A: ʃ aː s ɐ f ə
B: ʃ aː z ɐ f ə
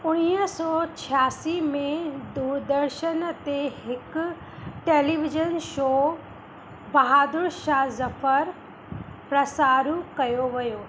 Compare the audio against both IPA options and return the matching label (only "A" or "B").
B